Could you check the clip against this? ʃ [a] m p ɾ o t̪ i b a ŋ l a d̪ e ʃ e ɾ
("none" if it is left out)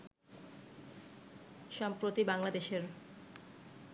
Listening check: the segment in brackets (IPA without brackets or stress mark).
a